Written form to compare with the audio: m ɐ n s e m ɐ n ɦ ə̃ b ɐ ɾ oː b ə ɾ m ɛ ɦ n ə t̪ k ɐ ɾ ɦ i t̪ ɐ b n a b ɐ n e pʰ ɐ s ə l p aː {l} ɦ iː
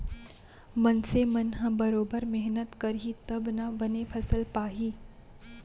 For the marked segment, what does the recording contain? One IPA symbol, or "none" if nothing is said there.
none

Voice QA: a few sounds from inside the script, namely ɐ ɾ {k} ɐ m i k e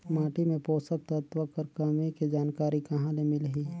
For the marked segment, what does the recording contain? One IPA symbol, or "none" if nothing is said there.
k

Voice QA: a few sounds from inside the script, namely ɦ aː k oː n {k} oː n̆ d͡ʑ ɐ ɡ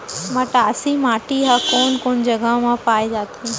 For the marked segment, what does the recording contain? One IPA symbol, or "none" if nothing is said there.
k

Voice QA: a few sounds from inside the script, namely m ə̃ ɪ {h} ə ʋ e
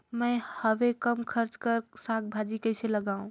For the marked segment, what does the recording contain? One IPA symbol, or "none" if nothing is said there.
h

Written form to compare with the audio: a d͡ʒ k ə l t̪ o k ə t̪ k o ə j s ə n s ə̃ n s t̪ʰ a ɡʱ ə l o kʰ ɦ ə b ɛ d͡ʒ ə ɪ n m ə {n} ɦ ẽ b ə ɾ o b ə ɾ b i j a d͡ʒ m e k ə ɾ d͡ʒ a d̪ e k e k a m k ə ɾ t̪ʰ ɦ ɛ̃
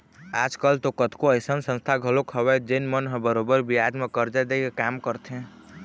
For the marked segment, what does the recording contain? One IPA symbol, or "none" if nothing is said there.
n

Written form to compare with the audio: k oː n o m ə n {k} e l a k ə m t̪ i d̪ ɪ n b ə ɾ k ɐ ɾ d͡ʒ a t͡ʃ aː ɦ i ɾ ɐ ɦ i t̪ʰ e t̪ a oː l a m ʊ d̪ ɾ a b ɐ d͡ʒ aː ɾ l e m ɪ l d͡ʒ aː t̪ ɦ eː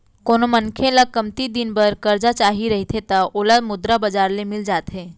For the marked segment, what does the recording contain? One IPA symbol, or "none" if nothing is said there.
kʰ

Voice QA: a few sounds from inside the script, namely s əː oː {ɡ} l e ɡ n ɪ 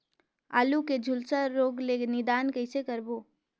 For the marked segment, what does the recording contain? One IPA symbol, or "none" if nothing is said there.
ɡ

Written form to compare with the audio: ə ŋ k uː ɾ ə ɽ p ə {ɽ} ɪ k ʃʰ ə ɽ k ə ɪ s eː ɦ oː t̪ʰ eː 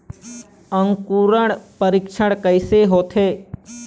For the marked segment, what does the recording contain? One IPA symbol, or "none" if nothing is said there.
ɾ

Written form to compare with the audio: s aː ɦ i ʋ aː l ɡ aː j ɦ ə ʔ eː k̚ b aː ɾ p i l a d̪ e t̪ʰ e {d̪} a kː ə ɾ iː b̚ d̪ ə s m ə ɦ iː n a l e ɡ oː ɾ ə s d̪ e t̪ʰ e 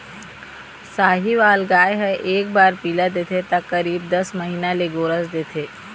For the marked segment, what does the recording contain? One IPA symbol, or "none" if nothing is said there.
t̪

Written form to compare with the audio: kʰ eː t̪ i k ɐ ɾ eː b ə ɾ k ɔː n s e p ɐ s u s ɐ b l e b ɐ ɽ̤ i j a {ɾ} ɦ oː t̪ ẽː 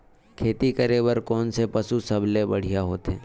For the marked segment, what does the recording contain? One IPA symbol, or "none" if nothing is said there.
none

